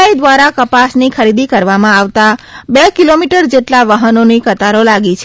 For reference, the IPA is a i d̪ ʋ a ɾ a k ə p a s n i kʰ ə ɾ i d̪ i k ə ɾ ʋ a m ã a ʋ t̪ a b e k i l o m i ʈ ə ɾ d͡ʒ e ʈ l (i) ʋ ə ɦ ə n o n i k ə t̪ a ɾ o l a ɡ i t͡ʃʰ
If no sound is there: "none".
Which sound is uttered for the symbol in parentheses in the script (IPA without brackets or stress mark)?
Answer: a